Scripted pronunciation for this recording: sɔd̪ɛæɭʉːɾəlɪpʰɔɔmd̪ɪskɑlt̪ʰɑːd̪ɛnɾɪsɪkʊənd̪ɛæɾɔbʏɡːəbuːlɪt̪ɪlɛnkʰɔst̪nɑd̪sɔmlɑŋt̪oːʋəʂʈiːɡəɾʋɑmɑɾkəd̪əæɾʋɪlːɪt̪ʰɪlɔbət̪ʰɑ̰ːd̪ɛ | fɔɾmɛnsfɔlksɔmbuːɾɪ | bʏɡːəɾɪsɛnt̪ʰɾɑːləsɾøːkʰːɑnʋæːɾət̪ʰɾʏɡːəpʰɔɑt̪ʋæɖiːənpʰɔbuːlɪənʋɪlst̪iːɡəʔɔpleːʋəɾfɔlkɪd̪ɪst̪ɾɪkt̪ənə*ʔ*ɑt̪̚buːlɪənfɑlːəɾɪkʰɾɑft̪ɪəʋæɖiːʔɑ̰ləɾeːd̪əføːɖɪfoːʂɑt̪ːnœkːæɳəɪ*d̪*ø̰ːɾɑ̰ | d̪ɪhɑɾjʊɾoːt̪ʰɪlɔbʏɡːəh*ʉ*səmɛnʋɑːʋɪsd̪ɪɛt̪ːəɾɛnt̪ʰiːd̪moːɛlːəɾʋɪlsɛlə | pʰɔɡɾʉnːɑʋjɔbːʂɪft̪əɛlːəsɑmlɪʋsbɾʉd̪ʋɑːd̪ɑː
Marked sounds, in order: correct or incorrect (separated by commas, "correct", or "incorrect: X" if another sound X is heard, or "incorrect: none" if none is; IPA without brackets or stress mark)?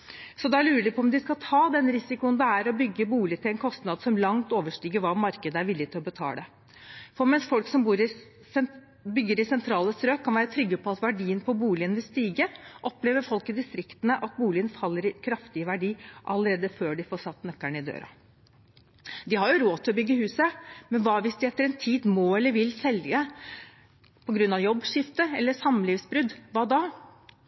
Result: correct, correct, incorrect: ʉː